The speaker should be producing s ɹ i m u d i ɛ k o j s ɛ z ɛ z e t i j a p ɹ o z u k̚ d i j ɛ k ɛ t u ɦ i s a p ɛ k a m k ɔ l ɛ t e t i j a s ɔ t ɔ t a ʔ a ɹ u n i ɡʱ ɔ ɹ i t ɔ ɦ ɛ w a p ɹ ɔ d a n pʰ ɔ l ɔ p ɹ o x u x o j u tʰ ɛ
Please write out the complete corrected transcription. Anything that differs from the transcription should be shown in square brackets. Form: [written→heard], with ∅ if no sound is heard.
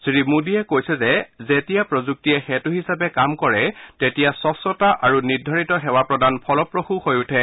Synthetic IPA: s ɹ i m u d i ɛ k o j s ɛ z ɛ z e t i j a p ɹ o z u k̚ [d→t] i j ɛ [k→x] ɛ t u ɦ i s a p ɛ k a m k ɔ [l→ɹ] ɛ t e t i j a s ɔ [t→s] ɔ t a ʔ a ɹ u n i [ɡʱ→dʱ] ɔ ɹ i t ɔ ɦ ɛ w a p ɹ ɔ d a n pʰ ɔ l ɔ p ɹ o x u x o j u tʰ ɛ